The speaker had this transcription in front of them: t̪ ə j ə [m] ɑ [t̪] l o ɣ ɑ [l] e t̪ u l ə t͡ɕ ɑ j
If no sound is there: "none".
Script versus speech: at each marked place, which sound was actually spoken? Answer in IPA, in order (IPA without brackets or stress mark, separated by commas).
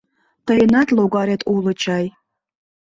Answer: n, t̪, ɾ